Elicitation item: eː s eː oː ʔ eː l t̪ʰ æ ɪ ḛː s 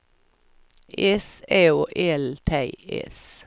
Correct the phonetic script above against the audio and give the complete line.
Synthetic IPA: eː s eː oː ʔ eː l t̪ʰ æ ɪ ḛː s